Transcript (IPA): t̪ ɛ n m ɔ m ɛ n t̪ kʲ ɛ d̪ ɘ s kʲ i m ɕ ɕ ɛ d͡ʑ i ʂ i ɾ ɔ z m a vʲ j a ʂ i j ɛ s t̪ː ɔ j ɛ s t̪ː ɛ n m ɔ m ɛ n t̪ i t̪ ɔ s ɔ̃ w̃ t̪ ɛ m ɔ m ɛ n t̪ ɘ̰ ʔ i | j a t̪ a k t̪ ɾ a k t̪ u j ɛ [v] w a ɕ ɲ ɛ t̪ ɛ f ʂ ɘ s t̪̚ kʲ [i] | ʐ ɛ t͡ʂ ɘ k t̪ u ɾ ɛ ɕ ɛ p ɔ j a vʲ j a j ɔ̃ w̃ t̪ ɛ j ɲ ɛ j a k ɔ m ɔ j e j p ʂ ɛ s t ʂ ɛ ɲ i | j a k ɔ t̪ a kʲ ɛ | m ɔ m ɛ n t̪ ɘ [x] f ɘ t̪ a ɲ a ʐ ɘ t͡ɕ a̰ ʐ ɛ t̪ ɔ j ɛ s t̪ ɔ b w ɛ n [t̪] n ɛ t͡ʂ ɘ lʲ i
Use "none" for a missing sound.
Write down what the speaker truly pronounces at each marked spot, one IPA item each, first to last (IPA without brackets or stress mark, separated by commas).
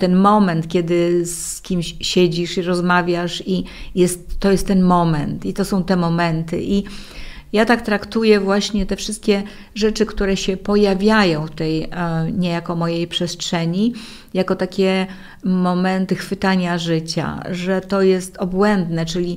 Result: v, ɛ, x, d̪